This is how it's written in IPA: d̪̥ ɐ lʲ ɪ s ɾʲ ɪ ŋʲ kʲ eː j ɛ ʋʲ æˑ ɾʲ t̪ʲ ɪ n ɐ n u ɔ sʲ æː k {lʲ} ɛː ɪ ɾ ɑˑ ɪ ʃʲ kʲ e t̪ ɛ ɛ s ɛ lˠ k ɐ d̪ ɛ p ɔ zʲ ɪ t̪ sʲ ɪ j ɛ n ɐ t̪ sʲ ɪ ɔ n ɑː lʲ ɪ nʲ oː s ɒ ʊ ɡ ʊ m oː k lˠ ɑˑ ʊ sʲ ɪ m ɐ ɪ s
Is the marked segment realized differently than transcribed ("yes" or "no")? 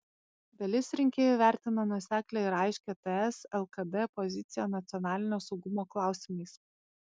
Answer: no